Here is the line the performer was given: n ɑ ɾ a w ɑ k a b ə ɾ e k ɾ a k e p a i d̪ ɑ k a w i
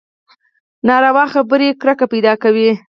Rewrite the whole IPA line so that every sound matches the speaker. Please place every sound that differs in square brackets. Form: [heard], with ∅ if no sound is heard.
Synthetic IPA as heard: n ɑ ɾ a w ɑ [x] a b ə ɾ e k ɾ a k [a] p a [j] d̪ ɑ k a w i